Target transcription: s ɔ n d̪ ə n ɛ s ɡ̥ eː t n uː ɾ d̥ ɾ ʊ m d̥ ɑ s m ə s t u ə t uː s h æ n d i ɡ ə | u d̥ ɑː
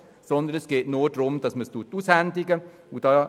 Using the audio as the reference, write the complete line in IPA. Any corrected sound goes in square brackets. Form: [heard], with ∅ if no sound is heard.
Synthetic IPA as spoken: s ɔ n d̪ ə n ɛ s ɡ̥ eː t n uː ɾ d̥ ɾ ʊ m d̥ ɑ s m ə s t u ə t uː s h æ n d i ɡ ə | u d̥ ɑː